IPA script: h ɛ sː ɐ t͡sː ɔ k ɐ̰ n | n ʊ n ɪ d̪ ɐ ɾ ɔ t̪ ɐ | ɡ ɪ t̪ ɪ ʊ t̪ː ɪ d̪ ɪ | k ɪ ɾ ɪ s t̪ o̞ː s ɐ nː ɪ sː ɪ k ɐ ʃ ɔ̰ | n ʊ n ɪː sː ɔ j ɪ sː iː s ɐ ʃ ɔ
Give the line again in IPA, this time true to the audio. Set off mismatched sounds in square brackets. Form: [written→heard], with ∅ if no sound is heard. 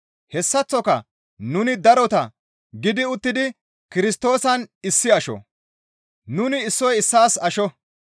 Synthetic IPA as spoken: h ɛ sː ɐ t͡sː ɔ k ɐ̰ [n→∅] | n ʊ n ɪ d̪ ɐ ɾ ɔ t̪ ɐ | ɡ ɪ [t̪→d̪] ɪ ʊ t̪ː ɪ d̪ ɪ | k ɪ ɾ ɪ s t̪ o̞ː s ɐ [nː→n] ɪ sː ɪ [k→∅] ɐ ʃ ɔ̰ | n ʊ n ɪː sː ɔ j ɪ sː [iː→aː] s ɐ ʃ ɔ